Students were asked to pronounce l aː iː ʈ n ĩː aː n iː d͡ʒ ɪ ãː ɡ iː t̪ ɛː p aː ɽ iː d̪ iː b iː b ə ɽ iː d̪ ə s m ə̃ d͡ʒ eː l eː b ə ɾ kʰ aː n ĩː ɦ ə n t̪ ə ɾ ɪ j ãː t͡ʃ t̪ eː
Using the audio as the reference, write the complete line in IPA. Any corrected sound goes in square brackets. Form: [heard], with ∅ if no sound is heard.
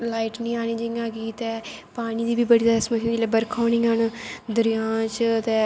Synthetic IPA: l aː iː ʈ n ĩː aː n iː d͡ʒ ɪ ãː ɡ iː t̪ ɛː p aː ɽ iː d̪ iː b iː b ə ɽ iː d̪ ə s m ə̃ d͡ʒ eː l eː b ə ɾ kʰ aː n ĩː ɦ ə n [d̪] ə ɾ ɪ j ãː t͡ʃ t̪ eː

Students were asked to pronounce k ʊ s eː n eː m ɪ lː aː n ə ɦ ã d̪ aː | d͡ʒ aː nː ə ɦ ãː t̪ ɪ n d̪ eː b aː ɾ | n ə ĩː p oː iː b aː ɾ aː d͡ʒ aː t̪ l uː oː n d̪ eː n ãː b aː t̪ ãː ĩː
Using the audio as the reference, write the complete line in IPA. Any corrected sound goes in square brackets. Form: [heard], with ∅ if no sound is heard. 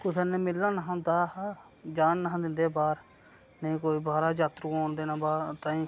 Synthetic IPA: k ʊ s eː n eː m ɪ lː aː n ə ɦ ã d̪ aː | d͡ʒ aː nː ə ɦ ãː [d̪] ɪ n d̪ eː b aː ɾ | n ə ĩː [k] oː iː b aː ɾ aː d͡ʒ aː t̪ [ɾ] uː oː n d̪ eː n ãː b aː t̪ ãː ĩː

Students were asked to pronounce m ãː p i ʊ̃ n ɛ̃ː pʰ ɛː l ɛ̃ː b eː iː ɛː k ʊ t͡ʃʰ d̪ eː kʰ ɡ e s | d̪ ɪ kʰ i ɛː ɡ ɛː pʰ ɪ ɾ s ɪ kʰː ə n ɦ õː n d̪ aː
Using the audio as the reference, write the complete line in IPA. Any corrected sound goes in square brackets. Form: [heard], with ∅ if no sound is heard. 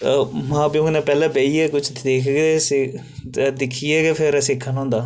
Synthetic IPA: m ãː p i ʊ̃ n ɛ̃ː [p] ɛː l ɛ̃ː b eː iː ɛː k ʊ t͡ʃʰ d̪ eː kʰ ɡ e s | d̪ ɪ kʰ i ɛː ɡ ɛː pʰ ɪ ɾ s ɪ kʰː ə n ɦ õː n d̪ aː

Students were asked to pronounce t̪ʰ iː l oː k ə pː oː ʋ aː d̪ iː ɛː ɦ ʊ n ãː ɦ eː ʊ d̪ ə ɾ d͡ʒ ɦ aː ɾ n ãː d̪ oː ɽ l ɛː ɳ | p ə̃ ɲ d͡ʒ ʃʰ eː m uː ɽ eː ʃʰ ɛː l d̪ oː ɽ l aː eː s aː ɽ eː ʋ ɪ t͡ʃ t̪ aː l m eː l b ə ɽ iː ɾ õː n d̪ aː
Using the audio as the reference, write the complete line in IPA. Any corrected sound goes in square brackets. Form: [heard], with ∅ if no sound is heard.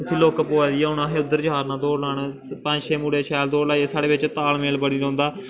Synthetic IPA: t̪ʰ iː l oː k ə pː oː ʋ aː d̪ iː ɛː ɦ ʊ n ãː ɦ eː ʊ d̪ ə ɾ d͡ʒ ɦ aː ɾ n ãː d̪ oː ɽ l [aː] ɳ | p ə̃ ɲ d͡ʒ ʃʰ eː m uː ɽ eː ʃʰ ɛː l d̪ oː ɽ l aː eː s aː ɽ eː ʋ ɪ t͡ʃ t̪ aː l m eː l b ə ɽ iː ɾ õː n d̪ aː

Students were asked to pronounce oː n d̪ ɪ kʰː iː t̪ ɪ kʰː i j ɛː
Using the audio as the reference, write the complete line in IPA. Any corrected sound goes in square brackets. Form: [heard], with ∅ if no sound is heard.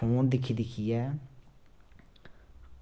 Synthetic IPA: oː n d̪ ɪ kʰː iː [d̪] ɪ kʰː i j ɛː

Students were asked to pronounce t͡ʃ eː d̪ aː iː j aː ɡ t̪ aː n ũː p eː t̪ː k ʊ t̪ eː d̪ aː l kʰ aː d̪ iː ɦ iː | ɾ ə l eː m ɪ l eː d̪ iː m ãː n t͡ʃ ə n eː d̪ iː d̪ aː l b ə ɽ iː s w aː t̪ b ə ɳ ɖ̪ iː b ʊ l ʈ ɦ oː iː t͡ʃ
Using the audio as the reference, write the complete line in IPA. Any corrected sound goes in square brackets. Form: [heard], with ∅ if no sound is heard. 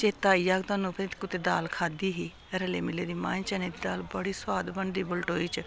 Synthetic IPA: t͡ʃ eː [t̪] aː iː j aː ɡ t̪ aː n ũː p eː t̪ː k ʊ t̪ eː d̪ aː l kʰ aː d̪ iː ɦ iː | ɾ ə l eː m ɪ l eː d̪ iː m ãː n t͡ʃ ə n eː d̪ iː d̪ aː l b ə ɽ iː s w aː [d̪] b ə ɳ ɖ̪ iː b ʊ l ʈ ɦ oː iː t͡ʃ

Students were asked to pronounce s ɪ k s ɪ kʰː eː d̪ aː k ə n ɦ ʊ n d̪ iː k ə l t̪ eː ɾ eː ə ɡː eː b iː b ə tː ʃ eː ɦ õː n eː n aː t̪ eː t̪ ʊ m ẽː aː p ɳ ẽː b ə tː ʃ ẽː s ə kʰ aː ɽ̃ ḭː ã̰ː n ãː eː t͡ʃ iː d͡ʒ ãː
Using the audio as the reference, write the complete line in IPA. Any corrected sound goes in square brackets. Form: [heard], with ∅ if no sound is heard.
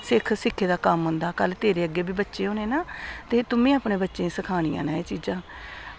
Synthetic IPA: s ɪ [kʰ] s ɪ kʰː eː d̪ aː k ə [m] ɦ ʊ n d̪ [aː] k ə l t̪ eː ɾ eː ə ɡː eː b iː b ə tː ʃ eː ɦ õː n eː n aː t̪ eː t̪ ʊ m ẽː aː p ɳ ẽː b ə tː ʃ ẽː s ə kʰ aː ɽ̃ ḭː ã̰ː n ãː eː t͡ʃ iː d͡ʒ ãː

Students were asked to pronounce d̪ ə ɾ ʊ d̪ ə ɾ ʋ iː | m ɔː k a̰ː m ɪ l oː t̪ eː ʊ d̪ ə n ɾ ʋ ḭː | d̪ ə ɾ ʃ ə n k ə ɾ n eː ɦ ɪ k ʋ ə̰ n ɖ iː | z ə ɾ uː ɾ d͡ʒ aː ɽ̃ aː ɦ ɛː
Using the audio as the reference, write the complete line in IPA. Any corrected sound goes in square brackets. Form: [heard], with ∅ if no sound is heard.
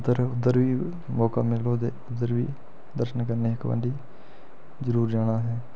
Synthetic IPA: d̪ ə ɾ ʊ d̪ ə ɾ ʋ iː | m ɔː k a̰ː m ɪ l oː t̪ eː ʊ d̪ ə [∅] ɾ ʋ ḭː | d̪ ə ɾ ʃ ə n k ə ɾ n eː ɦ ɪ k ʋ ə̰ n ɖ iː | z ə ɾ uː ɾ d͡ʒ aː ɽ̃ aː ɦ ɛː

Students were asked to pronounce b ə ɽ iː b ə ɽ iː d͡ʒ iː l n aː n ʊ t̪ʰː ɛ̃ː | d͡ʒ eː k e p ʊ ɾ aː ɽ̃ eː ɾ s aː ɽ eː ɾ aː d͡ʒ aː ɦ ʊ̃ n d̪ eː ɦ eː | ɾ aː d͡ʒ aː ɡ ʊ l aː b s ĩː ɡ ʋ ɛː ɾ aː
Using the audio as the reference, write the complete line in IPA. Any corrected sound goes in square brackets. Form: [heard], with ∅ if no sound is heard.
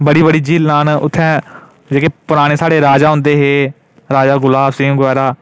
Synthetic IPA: b ə ɽ iː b ə ɽ iː d͡ʒ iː l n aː n ʊ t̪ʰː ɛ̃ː | d͡ʒ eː k e p ʊ ɾ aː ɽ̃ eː [∅] s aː ɽ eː ɾ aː d͡ʒ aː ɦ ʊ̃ n d̪ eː ɦ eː | ɾ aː d͡ʒ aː ɡ ʊ l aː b s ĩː ɡ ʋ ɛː ɾ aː

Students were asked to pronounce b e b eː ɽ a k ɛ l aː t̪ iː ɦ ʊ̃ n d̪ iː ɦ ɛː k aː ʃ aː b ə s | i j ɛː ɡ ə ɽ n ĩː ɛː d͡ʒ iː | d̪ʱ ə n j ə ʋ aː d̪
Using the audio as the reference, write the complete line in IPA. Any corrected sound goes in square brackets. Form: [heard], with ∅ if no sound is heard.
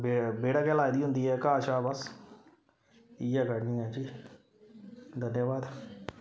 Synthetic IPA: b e b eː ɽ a k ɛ l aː [d̪] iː ɦ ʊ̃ n d̪ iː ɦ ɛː k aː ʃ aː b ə s | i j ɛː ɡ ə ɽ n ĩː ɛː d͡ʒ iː | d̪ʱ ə n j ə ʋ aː d̪

